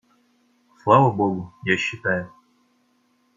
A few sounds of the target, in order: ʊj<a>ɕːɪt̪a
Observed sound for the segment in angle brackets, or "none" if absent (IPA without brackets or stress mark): a